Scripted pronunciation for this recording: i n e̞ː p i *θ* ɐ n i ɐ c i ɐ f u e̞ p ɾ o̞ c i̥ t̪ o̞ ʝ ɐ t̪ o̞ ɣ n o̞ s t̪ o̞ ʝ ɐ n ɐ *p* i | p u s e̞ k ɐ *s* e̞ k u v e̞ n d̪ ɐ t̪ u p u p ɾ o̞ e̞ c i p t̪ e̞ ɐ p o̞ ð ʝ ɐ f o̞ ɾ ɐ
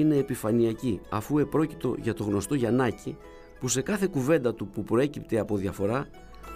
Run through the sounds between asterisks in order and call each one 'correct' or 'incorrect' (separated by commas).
incorrect, incorrect, incorrect